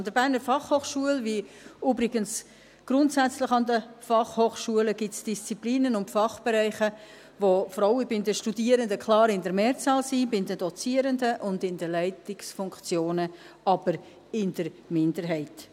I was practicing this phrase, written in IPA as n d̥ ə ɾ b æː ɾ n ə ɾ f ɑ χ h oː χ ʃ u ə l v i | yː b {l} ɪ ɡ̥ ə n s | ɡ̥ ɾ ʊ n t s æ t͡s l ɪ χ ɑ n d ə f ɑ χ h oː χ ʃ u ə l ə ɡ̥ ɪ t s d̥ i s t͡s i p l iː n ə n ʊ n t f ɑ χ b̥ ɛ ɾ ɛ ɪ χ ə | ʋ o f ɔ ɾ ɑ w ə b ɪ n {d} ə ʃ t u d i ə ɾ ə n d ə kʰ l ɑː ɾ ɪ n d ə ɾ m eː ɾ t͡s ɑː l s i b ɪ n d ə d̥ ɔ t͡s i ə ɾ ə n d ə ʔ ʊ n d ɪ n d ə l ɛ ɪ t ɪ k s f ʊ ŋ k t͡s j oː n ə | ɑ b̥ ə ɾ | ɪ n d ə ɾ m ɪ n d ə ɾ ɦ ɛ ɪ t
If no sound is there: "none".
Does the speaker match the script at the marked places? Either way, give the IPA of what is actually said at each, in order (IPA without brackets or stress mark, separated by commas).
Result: ɾ, d